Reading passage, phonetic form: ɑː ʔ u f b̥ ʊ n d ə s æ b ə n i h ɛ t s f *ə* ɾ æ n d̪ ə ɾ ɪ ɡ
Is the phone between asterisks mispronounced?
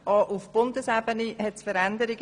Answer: no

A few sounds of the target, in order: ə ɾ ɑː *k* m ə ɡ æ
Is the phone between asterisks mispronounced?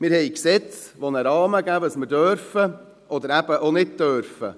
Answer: yes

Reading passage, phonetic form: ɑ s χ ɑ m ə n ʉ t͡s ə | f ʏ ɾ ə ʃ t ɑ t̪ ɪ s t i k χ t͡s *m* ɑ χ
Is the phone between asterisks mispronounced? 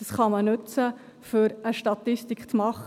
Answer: no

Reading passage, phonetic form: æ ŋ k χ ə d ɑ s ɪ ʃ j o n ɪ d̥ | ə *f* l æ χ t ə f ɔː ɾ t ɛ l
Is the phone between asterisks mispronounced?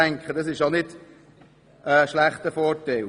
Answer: yes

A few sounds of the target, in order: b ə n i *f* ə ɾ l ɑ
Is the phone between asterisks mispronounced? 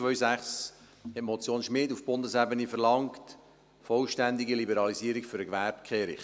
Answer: no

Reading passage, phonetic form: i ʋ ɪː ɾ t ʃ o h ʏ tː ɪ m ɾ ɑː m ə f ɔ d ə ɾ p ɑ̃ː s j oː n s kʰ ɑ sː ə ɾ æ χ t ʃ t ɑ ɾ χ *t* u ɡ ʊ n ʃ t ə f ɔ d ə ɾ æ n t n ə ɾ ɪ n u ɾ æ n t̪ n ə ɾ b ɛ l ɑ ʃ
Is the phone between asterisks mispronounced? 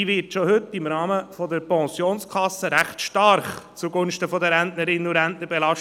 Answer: yes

